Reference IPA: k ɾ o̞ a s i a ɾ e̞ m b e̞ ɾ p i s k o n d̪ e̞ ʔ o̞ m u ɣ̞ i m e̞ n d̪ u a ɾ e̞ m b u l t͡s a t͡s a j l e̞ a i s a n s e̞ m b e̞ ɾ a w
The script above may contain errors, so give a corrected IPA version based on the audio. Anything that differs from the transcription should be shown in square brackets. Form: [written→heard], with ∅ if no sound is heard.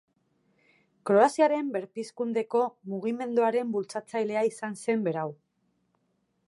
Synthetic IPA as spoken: k ɾ o̞ a s i a ɾ e̞ m b e̞ ɾ p i s k [o→u] n d̪ e̞ [ʔ→k] o̞ m u ɣ̞ i m e̞ n d̪ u a ɾ e̞ m b u l t͡s a t͡s a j l e̞ a i s a n s e̞ m b e̞ ɾ a w